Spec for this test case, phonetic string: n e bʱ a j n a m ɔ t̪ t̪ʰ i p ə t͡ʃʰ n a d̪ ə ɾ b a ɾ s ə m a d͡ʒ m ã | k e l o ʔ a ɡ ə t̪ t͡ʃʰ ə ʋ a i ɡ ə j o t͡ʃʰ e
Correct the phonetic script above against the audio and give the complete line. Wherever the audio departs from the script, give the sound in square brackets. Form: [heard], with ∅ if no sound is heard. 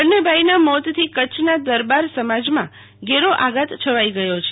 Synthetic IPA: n e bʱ a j n a m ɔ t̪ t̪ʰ i [k] ə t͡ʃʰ n a d̪ ə ɾ b a ɾ s ə m a d͡ʒ m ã | [ɡ] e [ɾ] o ʔ a ɡ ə t̪ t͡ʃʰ ə ʋ a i ɡ ə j o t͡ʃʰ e